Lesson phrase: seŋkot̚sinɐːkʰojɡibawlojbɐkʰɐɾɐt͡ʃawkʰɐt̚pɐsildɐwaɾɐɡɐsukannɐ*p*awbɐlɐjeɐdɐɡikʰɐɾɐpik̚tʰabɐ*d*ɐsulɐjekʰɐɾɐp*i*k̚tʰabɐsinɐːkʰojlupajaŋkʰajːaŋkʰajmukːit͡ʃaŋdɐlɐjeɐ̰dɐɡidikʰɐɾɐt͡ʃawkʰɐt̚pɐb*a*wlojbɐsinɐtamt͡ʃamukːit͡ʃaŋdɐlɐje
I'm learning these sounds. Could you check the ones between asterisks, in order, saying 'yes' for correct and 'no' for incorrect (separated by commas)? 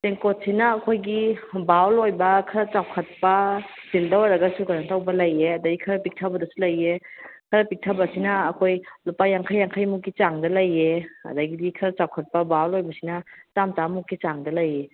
no, yes, yes, yes